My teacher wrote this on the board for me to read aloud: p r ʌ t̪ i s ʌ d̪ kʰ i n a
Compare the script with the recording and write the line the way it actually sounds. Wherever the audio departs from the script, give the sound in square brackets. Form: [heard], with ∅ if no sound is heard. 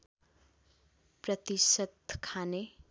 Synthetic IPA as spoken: p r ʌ t̪ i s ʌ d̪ kʰ [a] n [e]